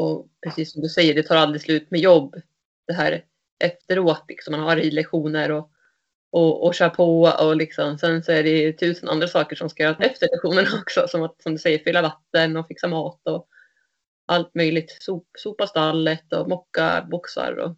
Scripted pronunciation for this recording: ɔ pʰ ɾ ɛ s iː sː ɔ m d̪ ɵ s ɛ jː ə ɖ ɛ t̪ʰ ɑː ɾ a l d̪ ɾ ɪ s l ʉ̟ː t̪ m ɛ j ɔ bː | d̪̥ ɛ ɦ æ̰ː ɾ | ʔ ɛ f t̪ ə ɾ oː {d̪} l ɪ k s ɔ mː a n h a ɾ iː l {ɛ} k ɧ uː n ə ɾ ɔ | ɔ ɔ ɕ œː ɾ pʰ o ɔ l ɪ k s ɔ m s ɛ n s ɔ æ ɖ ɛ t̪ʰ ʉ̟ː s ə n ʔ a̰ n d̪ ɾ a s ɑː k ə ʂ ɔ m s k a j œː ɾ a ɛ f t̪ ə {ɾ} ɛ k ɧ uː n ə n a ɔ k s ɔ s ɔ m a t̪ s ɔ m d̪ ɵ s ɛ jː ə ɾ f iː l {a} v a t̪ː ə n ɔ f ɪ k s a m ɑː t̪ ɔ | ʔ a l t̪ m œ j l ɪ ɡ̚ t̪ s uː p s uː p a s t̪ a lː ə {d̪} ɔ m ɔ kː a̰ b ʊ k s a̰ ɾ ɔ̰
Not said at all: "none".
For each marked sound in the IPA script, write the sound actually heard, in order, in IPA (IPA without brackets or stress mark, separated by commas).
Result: t̪, ɛ, ɭ, a, t̪